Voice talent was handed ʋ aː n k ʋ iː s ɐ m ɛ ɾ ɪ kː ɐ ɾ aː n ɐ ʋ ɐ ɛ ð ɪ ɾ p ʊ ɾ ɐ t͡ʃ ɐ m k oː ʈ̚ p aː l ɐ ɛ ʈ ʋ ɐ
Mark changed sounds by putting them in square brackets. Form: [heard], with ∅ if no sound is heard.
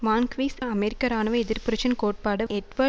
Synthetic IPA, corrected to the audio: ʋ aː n k ʋ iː s ɐ m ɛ ɾ ɪ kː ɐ ɾ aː n ɐ ʋ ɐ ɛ ð ɪ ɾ p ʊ ɾ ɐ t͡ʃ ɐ [n] k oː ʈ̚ p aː [ɽ] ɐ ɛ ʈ ʋ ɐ